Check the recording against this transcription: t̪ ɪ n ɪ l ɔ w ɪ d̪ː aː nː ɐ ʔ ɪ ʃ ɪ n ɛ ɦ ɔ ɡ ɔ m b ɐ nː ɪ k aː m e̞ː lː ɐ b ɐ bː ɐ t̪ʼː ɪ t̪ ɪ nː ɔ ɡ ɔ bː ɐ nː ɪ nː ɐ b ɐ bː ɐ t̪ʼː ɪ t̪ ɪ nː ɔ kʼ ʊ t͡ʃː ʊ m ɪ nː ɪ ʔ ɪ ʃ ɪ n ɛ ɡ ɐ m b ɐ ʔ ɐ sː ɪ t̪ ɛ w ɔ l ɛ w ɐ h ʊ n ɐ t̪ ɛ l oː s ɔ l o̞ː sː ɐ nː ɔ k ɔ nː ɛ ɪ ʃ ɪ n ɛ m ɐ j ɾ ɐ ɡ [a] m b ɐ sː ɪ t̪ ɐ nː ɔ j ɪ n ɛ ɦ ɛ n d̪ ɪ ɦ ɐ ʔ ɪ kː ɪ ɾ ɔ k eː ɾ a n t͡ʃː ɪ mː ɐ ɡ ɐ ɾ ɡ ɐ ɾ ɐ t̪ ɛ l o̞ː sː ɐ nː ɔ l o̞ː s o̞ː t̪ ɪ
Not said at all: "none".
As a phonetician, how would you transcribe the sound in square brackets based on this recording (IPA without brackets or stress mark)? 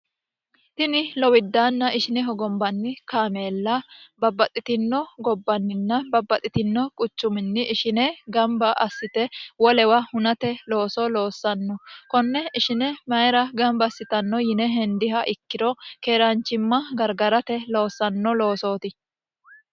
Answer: ɐ